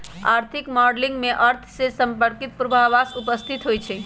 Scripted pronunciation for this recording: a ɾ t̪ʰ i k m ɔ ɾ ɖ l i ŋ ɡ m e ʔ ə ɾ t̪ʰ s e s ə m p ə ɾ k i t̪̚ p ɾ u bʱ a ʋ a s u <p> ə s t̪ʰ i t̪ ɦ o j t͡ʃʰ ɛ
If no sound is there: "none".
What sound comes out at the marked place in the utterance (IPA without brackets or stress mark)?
p